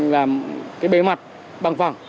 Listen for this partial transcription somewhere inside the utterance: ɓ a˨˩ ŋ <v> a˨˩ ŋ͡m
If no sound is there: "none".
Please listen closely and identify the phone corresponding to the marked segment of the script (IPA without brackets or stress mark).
f